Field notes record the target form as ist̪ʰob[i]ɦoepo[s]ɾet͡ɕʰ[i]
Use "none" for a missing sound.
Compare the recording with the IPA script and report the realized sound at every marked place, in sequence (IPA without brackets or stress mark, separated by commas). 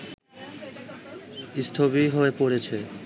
i, none, e